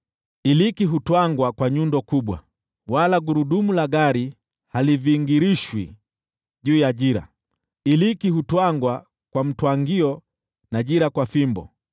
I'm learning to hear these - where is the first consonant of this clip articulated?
tongue tip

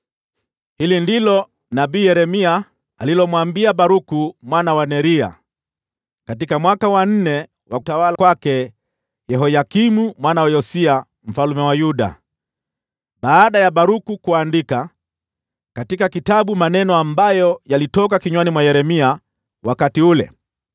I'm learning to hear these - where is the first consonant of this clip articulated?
throat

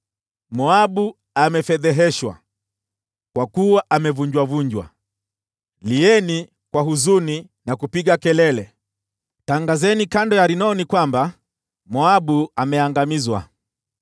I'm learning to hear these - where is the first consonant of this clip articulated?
lips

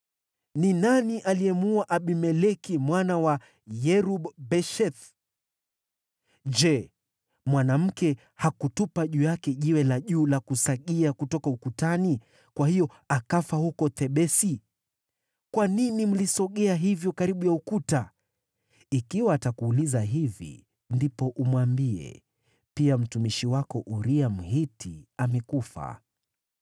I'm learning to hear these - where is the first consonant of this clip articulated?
tongue tip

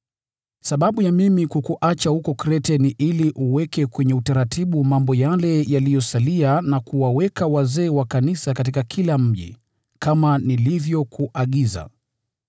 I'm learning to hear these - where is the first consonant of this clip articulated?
tongue tip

